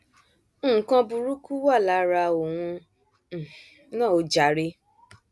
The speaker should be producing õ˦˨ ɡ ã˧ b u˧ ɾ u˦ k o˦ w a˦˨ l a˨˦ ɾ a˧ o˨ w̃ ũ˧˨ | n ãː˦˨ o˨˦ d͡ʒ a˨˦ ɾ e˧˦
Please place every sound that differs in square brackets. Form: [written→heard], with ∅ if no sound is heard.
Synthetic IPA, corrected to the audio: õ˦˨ [ɡ→k] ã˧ b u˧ ɾ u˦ k [o˦→u˦] w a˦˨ l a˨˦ ɾ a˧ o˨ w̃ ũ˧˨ | n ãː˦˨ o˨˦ d͡ʒ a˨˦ ɾ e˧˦